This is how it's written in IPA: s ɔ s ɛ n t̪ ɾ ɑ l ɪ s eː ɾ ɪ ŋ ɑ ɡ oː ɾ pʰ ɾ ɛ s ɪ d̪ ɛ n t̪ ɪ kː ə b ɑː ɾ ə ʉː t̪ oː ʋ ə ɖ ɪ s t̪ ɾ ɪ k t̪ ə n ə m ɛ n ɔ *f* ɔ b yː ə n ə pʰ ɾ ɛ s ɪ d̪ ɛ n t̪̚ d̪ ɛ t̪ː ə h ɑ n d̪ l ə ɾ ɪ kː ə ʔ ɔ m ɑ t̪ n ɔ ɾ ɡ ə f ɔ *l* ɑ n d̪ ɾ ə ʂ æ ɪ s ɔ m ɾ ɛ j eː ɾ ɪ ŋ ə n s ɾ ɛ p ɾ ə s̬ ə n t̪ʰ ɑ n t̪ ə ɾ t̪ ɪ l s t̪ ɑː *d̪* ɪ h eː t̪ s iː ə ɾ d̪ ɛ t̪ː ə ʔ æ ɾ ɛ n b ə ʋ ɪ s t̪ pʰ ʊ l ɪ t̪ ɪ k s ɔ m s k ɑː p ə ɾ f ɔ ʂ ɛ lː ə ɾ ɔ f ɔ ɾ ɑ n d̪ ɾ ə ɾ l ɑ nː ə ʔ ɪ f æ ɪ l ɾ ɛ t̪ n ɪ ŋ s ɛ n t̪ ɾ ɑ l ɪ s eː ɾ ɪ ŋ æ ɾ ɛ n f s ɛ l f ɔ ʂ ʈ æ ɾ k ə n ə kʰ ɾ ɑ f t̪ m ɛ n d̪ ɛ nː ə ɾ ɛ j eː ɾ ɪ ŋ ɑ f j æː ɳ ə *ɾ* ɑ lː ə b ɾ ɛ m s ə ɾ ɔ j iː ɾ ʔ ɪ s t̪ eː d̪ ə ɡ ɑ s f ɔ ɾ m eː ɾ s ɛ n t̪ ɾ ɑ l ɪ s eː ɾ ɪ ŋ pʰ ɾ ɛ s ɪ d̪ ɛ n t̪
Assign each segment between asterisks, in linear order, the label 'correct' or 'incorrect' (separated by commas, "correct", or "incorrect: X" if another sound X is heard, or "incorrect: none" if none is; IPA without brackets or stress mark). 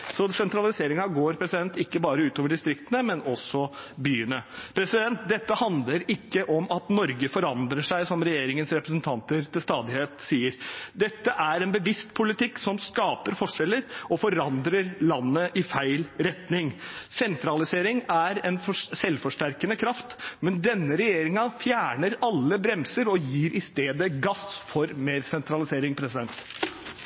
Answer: incorrect: s, incorrect: ɾ, correct, correct